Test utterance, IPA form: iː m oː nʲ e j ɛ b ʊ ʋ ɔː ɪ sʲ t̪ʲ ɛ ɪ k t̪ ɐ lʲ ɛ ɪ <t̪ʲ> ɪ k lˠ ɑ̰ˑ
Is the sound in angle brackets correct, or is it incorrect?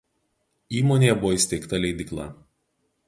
incorrect